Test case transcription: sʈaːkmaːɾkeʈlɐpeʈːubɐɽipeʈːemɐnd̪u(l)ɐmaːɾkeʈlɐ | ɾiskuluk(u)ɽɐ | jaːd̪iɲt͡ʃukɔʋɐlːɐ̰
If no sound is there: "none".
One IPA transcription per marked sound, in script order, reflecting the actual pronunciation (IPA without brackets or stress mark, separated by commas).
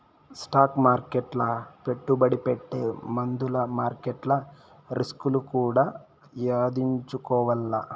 l, uː